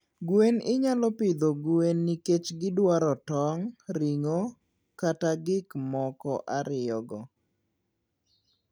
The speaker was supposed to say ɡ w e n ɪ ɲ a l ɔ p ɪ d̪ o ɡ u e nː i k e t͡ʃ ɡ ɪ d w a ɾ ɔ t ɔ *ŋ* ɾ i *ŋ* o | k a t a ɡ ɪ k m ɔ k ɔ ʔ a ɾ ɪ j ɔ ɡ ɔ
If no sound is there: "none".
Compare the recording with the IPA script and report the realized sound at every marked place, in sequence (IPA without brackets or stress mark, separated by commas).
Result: ŋ, ŋ